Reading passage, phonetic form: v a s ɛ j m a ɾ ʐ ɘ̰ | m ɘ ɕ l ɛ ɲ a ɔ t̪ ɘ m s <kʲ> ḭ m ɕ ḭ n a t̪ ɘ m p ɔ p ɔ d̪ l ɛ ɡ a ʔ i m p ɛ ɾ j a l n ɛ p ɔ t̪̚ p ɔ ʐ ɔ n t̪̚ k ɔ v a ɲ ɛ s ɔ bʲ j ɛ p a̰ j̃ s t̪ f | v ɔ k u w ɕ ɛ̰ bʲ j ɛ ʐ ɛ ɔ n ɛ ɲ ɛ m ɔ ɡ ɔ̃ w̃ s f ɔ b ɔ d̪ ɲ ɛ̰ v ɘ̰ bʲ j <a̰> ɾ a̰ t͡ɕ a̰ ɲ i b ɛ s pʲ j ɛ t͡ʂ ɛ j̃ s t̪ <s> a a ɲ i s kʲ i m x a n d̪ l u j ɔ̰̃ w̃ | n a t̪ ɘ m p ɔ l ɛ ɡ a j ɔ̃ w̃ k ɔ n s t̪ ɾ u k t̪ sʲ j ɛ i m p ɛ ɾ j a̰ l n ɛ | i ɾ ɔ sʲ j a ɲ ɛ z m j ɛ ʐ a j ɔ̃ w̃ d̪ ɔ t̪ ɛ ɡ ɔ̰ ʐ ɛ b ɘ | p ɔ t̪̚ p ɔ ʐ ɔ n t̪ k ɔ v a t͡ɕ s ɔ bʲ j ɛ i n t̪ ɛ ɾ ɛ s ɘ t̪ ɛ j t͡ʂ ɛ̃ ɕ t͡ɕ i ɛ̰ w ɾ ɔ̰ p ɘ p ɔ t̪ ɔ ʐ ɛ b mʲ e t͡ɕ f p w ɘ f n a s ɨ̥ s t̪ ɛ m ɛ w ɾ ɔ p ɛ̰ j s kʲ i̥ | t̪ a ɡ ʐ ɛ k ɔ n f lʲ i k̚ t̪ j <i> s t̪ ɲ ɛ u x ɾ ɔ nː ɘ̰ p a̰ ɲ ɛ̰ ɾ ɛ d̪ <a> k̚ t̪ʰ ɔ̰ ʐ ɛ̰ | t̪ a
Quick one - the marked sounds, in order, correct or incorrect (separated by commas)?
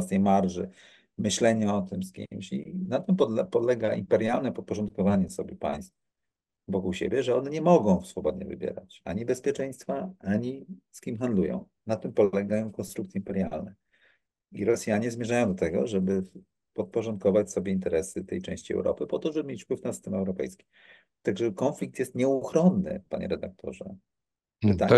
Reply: correct, incorrect, incorrect, incorrect, correct